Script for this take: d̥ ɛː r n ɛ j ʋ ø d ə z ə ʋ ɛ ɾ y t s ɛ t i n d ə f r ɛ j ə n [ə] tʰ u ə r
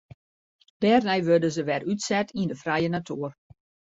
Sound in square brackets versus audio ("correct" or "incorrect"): incorrect